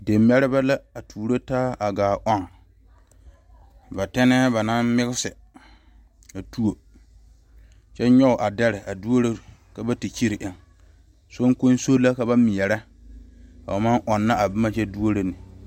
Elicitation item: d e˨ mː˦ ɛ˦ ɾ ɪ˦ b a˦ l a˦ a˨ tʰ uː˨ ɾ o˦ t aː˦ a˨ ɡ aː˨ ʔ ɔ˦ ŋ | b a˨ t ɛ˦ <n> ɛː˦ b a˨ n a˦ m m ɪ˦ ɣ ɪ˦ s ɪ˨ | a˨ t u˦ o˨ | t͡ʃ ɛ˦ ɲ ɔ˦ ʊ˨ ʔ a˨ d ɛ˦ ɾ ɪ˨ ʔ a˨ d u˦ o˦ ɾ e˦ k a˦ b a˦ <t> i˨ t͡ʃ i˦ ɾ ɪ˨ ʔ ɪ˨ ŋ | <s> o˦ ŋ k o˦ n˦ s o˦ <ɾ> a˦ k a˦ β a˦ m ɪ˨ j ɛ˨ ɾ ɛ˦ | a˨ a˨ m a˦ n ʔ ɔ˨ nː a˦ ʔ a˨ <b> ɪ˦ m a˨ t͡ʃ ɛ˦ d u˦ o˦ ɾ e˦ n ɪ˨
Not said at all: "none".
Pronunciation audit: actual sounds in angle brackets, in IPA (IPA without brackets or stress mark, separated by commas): n, t, s, l, b